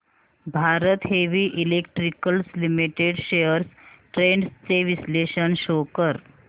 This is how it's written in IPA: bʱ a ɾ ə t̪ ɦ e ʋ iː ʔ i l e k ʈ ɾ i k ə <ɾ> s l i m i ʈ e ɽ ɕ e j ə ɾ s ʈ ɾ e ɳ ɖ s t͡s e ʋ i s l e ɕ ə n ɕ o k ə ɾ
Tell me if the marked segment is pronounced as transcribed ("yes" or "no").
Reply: no